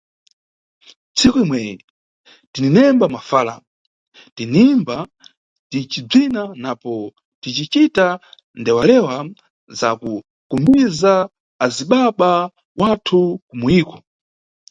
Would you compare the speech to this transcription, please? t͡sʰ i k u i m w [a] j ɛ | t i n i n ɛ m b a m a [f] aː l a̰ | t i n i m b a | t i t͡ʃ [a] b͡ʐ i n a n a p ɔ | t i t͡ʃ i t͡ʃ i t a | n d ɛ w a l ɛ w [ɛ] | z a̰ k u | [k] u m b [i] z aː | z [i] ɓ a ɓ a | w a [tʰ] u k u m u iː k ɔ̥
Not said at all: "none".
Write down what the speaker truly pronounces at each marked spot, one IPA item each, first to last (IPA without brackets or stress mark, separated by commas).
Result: ɛ, f, i, a, k, i, i, tʰ